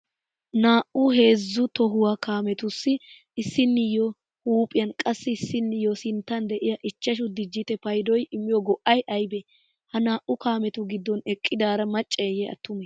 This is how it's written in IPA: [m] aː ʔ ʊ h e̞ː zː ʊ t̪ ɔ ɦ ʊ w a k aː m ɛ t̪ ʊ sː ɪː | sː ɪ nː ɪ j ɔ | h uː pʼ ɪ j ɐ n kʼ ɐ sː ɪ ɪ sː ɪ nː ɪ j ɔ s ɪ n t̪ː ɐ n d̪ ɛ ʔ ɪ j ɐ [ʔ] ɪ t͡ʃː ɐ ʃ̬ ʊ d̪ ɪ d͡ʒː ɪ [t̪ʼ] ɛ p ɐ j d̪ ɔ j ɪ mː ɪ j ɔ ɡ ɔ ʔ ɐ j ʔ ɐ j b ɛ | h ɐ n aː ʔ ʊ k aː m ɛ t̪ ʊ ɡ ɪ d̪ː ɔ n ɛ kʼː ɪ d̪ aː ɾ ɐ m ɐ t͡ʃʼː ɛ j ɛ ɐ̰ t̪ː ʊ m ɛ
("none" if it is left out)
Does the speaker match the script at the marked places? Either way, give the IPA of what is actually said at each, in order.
n, ʔ, t̪

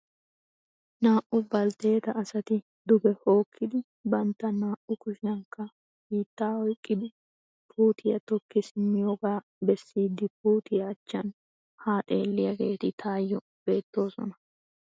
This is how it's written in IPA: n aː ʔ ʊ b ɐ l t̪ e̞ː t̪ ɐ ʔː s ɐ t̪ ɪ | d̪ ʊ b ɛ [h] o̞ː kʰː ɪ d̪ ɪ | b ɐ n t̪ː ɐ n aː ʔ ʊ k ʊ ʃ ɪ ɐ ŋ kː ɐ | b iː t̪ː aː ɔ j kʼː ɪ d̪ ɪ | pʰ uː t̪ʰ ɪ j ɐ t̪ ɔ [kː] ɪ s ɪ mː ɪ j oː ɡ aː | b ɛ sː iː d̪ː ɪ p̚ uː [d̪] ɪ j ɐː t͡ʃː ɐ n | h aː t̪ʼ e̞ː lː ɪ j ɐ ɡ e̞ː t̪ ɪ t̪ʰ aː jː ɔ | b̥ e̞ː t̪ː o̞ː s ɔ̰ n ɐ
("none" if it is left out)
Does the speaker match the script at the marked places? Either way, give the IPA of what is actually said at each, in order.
h, kː, t̪

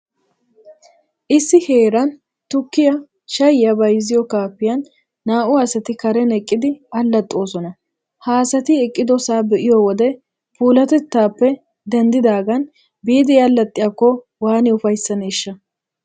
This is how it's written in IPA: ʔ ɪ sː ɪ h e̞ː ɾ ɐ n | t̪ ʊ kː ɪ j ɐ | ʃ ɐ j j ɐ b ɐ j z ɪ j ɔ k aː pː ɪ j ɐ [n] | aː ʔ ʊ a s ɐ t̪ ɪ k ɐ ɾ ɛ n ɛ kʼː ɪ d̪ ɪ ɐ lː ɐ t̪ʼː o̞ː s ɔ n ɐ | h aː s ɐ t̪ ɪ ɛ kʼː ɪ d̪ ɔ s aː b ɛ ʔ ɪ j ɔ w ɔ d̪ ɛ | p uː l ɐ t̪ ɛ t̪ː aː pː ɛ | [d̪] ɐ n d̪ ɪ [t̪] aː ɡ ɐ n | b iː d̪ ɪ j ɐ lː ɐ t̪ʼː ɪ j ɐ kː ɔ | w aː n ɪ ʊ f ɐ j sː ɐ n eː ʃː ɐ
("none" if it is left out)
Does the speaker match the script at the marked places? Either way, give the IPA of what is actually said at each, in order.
nː, d̪, d̪

